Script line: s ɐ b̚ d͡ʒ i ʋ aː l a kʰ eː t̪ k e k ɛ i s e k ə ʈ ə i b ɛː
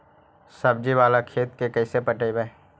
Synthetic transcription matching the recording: s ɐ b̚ d͡ʒ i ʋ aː l a kʰ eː t̪ k e k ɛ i s e p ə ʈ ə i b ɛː